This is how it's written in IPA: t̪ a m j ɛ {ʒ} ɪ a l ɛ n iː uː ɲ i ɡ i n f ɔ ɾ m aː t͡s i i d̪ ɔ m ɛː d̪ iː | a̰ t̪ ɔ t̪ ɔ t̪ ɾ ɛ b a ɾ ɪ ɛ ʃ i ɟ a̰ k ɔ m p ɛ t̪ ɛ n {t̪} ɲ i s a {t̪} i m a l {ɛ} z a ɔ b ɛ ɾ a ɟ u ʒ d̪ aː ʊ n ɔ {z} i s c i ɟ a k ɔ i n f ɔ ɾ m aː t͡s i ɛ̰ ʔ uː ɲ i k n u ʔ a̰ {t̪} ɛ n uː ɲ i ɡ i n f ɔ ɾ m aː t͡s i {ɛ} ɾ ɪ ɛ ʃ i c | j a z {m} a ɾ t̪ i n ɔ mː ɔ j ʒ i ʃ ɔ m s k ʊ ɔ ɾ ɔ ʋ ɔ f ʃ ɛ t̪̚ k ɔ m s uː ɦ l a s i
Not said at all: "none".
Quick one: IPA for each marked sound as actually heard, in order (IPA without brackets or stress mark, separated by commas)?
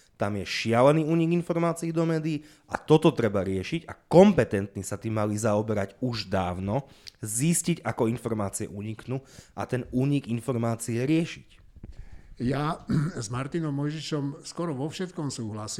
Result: ʃ, t̪, t̪, i, z, t̪, ɛ, m